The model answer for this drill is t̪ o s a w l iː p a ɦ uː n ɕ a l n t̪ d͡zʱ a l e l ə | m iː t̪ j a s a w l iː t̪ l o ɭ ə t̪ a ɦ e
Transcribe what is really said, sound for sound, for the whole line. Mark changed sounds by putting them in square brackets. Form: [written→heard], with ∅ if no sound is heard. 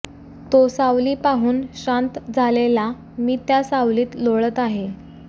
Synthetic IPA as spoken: t̪ o s a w l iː p a ɦ uː n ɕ a [l→∅] n t̪ d͡zʱ a l e l [ə→a] | m iː t̪ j a s a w l iː t̪ l o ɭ ə t̪ a ɦ e